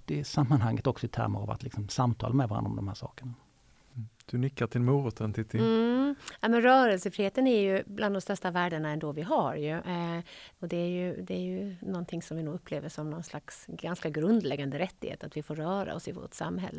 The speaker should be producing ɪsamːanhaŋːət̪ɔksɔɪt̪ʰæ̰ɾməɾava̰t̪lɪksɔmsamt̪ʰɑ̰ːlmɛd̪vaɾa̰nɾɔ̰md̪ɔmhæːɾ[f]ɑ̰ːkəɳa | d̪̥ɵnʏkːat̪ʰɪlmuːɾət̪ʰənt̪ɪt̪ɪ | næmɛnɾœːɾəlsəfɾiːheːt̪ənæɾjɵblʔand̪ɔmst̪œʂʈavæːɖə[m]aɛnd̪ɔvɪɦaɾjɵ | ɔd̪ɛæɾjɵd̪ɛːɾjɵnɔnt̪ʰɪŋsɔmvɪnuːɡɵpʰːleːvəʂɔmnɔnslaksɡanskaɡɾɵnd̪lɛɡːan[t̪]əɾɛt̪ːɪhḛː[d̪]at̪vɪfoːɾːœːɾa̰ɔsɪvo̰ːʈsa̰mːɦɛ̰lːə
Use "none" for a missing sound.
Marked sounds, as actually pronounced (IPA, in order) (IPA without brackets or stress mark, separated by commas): ʂ, ɳ, d̪, t̪